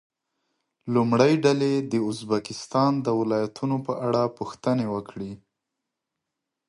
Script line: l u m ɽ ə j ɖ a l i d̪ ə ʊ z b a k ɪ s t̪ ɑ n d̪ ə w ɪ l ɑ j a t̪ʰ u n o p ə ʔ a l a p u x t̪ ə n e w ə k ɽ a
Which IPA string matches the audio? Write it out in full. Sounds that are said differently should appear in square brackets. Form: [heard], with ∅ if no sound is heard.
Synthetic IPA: l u m ɽ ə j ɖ a l [e] d̪ ə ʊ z b a k ɪ s t̪ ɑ n d̪ ə w ɪ l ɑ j a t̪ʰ u n o p ə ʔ a [ɽ] a p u x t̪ ə n e w ə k ɽ [i]